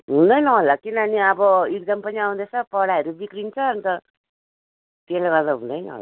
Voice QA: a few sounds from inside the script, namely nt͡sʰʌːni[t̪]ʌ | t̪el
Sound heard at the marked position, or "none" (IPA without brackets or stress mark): t̪